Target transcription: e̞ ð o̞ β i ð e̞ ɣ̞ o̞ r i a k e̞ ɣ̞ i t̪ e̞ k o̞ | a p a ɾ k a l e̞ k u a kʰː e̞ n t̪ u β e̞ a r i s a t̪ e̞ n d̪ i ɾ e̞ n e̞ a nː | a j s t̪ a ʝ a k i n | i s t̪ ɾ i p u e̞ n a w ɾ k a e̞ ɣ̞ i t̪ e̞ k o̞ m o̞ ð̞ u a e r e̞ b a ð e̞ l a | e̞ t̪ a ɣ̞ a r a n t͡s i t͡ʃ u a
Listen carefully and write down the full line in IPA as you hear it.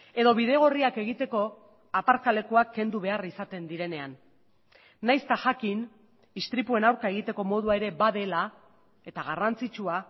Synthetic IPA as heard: e̞ ð o̞ β i ð e̞ ɣ̞ o̞ r i a k e̞ ɣ̞ i t̪ e̞ k o̞ | a p a ɾ k a l e̞ k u a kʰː e̞ n d̪ u β e̞ a r i s a t̪ e̞ n d̪ i ɾ e̞ n e̞ a nː | a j s t̪ a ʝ a k i n | i s t̪ ɾ i p u e̞ n a w ɾ k a e̞ ɣ̞ i t̪ e̞ k o̞ m o̞ ð̞ u a e ɾ e̞ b a ð e̞ l a | e̞ t̪ a ɣ̞ a r a n t͡s i t͡ʃ u a